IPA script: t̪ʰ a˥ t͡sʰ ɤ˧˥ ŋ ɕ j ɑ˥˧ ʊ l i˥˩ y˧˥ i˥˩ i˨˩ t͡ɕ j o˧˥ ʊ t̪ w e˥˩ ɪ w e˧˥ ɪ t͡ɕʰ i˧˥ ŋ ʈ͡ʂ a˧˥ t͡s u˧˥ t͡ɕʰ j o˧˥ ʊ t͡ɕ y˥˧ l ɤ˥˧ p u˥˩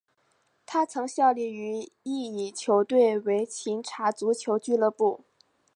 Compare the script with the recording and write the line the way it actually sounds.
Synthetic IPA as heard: t̪ʰ a˥ t͡sʰ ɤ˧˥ ŋ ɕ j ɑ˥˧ ʊ l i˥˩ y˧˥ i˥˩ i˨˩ t͡ɕʰ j o˧˥ ʊ t̪ w e˥˩ ɪ w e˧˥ ɪ t͡ɕʰ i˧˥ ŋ ʈ͡ʂʰ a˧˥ t͡s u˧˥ t͡ɕʰ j o˧˥ ʊ t͡ɕ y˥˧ l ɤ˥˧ p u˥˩

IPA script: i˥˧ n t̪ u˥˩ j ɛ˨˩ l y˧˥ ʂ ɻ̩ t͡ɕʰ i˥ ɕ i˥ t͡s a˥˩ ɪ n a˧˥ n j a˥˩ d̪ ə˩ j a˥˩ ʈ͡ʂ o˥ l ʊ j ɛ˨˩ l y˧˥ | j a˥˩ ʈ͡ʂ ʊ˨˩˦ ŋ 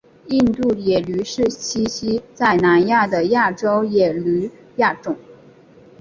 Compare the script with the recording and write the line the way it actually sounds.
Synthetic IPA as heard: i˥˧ n t̪ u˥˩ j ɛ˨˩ l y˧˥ ʂ ɻ̩ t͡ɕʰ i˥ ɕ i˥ t͡s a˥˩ ɪ n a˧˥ n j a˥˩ d̪ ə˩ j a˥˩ ʈ͡ʂ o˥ ʊ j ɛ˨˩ l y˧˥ | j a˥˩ ʈ͡ʂ ʊ˨˩˦ ŋ

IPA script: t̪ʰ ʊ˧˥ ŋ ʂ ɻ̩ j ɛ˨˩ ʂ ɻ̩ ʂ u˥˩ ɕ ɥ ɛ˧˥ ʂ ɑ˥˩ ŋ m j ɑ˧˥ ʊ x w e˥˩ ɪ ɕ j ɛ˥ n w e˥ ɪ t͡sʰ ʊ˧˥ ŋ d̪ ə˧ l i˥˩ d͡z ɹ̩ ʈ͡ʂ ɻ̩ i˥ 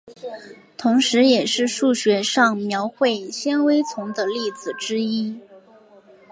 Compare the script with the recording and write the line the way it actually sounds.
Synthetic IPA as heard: t̪ʰ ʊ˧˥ ŋ ʂ ɻ̩ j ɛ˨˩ ʂ ɻ̩ ʂ u˥˩ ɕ ɥ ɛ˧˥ ʂ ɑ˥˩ ŋ m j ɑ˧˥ ʊ x w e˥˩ ɪ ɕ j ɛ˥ n w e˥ ɪ t͡sʰ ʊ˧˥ ŋ d̪ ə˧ l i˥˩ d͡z ɹ̩ ʈ͡ʂ ɻ̩ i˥

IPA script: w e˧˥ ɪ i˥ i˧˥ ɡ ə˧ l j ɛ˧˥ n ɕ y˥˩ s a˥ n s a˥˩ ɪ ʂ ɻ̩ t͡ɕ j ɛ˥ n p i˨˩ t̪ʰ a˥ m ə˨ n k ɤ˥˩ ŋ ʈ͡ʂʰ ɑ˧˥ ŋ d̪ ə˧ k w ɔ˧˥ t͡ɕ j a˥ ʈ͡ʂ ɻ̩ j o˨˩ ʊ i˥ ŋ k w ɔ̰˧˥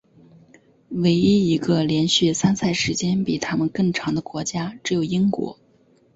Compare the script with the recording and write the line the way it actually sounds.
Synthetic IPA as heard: w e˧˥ ɪ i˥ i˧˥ ɡ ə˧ l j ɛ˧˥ n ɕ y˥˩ s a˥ n s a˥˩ ɪ ʂ ɻ̩ t͡ɕ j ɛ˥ n p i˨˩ t̪ʰ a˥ m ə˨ n k ɤ˥˩ ŋ ʈ͡ʂʰ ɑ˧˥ ŋ d̪ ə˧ k w ɔ˧˥ t͡ɕ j a˥ ʈ͡ʂ ɻ̩ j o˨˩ ʊ i˥ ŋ k w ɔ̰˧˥

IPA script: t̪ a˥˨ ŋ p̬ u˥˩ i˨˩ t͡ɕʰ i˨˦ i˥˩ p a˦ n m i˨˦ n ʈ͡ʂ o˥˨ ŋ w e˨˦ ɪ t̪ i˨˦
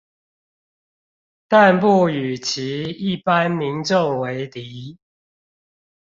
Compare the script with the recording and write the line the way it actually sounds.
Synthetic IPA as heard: t̪ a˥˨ n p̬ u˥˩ y˨˩ t͡ɕʰ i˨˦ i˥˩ p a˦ n m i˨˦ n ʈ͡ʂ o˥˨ ŋ w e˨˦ ɪ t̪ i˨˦

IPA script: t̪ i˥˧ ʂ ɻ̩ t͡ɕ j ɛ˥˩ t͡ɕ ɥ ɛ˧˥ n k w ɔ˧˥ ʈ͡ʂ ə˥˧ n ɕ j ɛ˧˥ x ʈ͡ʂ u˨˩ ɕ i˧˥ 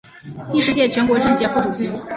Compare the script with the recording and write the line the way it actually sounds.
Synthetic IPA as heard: t̪ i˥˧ ʂ ɻ̩ t͡ɕ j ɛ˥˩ t͡ɕʰ ɥ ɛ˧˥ n k w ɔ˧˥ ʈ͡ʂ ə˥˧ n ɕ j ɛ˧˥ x ʈ͡ʂ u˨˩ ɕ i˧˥

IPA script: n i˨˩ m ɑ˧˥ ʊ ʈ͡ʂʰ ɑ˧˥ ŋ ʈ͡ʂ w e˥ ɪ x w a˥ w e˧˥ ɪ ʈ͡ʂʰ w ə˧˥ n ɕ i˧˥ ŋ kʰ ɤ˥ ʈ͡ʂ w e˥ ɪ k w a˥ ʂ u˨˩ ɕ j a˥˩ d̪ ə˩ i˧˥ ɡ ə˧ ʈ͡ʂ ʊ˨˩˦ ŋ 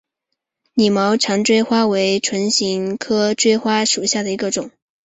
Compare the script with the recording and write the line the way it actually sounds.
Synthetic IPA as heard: n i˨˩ m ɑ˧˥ ʊ ʈ͡ʂʰ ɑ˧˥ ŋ ʈ͡ʂ w e˥ ɪ x w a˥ w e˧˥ ɪ ʈ͡ʂʰ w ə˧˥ n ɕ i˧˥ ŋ kʰ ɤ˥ ʈ͡ʂ w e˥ ɪ x w a˥ ʂ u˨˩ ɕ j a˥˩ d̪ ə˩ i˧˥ ɡ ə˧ ʈ͡ʂ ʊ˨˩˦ ŋ

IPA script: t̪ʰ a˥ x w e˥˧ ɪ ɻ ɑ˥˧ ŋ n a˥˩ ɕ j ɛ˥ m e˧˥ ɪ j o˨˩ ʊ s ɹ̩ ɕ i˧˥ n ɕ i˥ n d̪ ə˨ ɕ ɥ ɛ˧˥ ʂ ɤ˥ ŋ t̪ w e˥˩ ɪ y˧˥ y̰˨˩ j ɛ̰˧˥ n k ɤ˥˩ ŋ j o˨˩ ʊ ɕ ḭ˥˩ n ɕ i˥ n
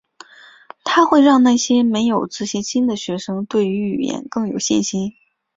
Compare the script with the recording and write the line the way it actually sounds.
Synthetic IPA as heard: t̪ʰ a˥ x w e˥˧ ɪ ɻ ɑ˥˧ ŋ n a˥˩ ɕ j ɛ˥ m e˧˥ ɪ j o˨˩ ʊ t͡s ɹ̩ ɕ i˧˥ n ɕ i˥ n d̪ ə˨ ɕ ɥ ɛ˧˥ ʂ ɤ˥ ŋ t̪ w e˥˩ ɪ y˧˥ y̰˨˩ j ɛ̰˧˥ n k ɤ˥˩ ŋ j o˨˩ ʊ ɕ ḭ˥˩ n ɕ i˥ n

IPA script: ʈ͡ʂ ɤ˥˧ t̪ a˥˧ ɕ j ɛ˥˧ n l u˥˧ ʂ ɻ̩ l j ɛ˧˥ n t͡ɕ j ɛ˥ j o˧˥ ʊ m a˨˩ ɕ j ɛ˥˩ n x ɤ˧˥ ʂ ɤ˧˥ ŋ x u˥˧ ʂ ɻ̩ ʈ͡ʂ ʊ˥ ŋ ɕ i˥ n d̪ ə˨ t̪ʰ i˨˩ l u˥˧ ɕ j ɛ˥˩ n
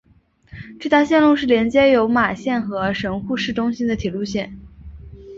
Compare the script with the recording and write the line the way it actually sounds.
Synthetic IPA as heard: ʈ͡ʂ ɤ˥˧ t̪ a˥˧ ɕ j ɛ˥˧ n l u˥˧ ʂ ɻ̩ l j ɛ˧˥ n t͡ɕ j ɛ˥ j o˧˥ ʊ m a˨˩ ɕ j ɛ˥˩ n x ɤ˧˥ ʂ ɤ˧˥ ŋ x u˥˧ ʂ ɻ̩ ʈ͡ʂ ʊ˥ ŋ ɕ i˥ n d̪ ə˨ t̪ʰ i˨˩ l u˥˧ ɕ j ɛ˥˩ n

